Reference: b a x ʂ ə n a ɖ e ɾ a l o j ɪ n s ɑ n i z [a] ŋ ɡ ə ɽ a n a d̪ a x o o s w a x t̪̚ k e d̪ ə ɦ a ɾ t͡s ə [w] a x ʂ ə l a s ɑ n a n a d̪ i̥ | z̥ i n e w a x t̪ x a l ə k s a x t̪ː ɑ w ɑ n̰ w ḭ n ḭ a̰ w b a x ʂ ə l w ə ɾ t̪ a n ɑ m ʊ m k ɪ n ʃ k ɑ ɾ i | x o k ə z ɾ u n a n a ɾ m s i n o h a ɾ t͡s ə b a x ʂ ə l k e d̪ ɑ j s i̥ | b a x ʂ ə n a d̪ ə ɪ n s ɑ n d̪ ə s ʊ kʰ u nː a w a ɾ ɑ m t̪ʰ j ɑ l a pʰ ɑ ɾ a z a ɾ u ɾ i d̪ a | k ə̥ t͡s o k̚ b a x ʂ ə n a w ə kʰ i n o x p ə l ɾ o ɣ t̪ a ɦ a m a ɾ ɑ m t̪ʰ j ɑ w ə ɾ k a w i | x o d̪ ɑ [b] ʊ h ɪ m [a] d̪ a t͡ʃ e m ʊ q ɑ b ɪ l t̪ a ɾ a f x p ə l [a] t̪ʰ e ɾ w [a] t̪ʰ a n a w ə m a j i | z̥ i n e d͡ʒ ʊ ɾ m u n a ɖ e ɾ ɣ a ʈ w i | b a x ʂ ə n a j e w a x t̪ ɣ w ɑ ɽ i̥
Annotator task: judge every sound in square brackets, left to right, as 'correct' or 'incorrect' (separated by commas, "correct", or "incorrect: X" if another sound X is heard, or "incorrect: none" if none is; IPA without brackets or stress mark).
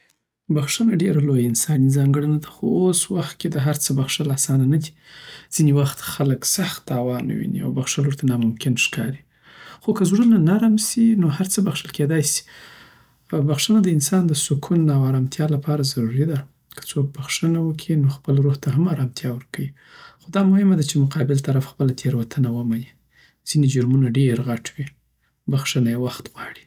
incorrect: ɑ, incorrect: b, incorrect: m, correct, correct, correct